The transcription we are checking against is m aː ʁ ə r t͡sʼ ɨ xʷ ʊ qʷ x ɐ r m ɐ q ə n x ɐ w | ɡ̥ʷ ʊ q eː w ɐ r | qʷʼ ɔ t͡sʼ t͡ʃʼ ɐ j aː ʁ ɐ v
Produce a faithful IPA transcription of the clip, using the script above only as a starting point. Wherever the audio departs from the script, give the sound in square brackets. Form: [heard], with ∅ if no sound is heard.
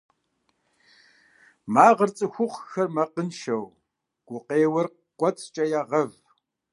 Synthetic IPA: m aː ʁ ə r t͡sʼ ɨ xʷ ʊ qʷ x ɐ r m ɐ q ə n [ʃ] ɐ w | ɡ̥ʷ ʊ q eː w ɐ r | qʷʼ ɔ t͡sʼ t͡ʃʼ ɐ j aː ʁ ɐ v